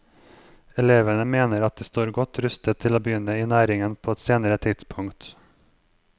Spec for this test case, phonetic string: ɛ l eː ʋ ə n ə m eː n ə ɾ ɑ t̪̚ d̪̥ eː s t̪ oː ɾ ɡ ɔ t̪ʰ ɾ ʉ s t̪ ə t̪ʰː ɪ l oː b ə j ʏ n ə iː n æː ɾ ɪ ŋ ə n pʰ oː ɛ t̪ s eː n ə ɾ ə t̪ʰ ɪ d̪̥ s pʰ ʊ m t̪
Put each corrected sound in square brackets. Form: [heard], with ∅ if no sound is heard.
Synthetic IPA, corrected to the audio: ɛ l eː ʋ ə n ə m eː n ə ɾ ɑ t̪̚ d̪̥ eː s t̪ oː ɾ ɡ ɔ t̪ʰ ɾ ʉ s t̪ ə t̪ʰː ɪ l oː b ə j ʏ n ə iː n æː ɾ ɪ ŋ ə n pʰ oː ɛ t̪ s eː n ə ɾ ə t̪ʰ ɪ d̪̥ s pʰ ʊ [ŋ] t̪

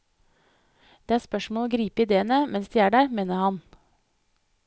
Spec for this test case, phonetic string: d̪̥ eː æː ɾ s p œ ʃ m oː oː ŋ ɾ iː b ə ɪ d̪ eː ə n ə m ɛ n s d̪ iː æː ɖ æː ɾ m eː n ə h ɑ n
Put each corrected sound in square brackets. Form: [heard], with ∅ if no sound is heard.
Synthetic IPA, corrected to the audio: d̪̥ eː æː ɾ s p œ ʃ m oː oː [ɡ] ɾ iː [p] ə ɪ d̪ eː ə n ə m ɛ n s d̪ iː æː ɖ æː ɾ m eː n ə h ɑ n

